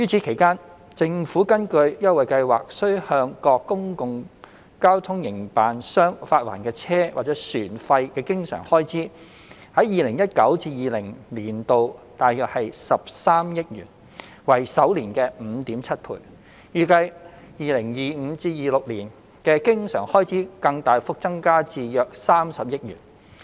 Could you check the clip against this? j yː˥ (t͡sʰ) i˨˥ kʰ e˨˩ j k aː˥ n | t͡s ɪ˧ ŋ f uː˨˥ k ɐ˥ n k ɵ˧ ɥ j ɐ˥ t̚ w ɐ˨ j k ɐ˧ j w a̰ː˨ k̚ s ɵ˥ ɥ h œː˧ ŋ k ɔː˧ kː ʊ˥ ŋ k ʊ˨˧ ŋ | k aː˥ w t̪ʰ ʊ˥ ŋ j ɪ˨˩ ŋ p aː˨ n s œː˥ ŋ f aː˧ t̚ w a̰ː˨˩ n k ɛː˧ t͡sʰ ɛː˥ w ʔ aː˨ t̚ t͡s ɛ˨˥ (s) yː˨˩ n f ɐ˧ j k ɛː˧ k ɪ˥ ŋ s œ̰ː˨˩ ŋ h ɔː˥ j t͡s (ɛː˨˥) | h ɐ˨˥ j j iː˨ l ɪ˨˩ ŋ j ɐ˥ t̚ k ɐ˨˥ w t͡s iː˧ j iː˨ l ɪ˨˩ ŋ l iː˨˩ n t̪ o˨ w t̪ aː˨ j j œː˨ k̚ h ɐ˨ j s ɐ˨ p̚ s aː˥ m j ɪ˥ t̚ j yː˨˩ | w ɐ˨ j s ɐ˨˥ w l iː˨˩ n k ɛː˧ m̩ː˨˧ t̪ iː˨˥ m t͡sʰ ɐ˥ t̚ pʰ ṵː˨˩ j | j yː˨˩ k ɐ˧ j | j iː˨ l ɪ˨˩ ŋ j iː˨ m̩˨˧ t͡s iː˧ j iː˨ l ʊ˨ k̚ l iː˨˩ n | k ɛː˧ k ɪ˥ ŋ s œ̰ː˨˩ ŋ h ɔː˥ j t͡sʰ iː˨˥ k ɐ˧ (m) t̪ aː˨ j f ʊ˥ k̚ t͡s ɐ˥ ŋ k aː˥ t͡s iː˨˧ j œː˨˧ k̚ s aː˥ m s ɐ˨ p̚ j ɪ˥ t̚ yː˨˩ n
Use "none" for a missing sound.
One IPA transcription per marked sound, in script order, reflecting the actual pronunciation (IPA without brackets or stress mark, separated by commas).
t͡sʰ, s, iː˨˥, ŋ